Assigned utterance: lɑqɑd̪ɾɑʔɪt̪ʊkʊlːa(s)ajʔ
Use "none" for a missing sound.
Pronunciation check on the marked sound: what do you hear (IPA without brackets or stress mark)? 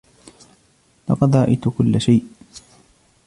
ʃ